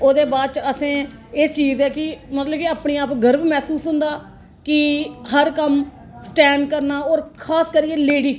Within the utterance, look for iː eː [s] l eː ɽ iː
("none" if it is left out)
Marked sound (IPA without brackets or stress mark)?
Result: none